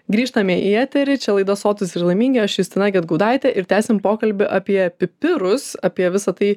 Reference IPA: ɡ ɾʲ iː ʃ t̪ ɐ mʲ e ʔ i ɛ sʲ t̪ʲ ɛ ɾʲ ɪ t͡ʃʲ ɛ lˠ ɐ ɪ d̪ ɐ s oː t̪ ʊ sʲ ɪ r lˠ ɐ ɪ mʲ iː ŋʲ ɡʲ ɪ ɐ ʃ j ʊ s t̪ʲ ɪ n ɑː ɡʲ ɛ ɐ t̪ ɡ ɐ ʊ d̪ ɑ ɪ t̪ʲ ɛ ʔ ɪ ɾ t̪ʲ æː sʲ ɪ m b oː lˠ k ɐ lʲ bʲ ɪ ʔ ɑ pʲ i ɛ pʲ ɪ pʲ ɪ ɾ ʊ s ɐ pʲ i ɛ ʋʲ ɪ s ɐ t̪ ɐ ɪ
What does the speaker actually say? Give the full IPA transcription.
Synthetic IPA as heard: ɡ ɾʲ iː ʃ t̪ ɐ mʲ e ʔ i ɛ t̪ʲ ɛ ɾʲ ɪ t͡ʃʲ ɛ lˠ ɐ ɪ d̪ ɐ s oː t̪ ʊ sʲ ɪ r lˠ ɐ ɪ mʲ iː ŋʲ ɡʲ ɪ ɐ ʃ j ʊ s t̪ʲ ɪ n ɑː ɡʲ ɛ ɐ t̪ ɡ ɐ ʊ d̪ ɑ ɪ t̪ʲ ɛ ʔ ɪ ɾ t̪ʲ æː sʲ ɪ m p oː k ɐ lʲ bʲ ɪ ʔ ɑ pʲ i ɛ pʲ ɪ pʲ ɪ ɾ ʊ s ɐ pʲ i ɛ ʋʲ ɪ s ɐ t̪ ɐ ɪ